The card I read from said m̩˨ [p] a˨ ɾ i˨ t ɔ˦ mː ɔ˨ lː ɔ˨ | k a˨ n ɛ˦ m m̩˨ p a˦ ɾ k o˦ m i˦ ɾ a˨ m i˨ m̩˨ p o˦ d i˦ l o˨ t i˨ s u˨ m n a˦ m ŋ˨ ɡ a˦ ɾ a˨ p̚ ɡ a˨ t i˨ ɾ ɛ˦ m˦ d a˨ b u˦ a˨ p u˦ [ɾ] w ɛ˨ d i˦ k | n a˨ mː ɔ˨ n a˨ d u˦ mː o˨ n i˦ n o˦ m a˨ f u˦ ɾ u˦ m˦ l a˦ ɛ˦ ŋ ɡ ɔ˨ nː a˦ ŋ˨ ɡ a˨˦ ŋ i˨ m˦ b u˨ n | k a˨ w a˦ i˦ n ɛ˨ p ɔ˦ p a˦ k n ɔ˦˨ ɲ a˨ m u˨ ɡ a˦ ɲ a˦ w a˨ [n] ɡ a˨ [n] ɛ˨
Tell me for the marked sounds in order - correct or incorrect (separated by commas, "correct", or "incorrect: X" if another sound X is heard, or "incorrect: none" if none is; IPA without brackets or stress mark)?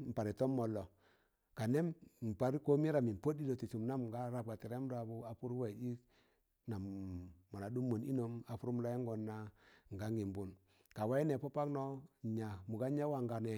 correct, correct, incorrect: ŋ, correct